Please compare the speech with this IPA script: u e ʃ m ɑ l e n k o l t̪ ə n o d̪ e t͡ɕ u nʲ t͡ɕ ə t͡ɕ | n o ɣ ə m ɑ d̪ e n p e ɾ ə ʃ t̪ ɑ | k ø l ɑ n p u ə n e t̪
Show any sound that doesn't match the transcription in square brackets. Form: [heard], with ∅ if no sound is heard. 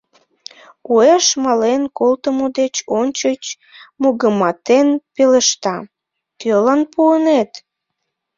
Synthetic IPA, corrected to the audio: u e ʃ m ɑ l e n k o l t̪ ə [m] o d̪ e t͡ɕ [o] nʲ t͡ɕ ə t͡ɕ | [m] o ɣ ə m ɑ [t̪] e n p e [l] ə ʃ t̪ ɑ | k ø l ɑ n p u ə n e t̪